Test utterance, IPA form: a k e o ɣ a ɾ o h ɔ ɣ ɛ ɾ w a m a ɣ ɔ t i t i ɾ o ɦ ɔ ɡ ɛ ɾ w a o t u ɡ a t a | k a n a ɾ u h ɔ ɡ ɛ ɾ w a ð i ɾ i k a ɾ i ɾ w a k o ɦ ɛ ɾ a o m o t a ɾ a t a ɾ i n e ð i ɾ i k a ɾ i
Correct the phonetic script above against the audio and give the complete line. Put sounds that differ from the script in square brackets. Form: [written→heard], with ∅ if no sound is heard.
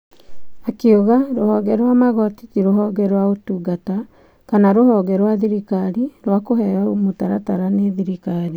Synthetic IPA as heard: a k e o ɣ a ɾ o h ɔ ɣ ɛ ɾ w a m a ɣ ɔ t i t i ɾ o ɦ ɔ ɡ ɛ ɾ w a o t u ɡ a t a | k a n a ɾ [u→o] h ɔ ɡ ɛ ɾ w a ð i ɾ i k a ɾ i ɾ w a k o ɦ ɛ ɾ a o m o t a ɾ a t a ɾ [i→a] n e ð i ɾ i k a ɾ i